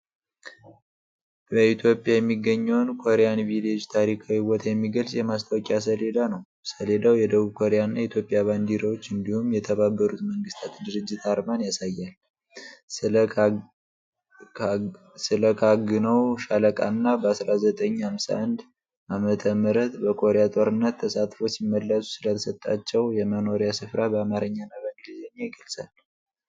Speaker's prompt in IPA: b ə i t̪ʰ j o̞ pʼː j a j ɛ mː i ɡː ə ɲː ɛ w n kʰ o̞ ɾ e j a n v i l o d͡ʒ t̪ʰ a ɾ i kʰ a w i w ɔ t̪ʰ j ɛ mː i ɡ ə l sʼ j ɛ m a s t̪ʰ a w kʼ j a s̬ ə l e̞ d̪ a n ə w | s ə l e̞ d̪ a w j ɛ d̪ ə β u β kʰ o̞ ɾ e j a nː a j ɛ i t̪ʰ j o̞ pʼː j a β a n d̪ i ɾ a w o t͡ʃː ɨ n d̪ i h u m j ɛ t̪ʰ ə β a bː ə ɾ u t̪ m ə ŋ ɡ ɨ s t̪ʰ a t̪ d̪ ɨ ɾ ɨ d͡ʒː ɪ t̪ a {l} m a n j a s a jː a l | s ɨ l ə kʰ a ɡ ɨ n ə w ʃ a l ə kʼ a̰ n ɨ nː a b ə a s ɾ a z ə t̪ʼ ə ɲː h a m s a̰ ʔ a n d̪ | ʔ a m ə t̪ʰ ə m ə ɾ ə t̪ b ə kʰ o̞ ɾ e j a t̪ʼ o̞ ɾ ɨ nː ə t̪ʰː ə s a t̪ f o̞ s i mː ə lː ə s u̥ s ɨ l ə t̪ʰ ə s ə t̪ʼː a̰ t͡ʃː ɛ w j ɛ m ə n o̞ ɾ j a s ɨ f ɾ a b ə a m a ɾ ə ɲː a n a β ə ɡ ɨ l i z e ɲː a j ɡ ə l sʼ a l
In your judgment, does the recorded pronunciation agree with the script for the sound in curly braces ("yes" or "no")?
no